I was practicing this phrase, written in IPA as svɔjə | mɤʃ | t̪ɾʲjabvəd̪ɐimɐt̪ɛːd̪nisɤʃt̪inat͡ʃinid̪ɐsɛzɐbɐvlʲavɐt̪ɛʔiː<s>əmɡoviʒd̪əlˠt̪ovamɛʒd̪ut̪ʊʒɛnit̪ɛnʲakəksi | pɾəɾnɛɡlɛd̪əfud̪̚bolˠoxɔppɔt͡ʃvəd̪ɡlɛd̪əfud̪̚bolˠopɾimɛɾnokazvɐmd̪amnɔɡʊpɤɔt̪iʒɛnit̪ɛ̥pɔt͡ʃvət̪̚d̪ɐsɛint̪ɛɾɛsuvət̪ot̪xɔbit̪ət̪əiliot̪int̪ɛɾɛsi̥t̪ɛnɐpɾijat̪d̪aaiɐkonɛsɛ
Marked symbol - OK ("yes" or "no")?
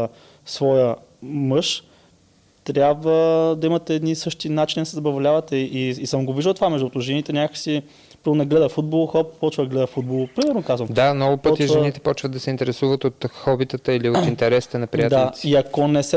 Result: yes